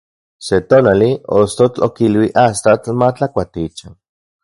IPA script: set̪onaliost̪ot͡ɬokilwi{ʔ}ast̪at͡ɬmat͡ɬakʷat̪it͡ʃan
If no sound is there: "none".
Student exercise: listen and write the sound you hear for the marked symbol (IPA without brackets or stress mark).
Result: ʔ